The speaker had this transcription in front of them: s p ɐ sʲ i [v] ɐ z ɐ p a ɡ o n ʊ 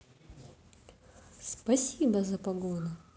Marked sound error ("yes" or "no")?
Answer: yes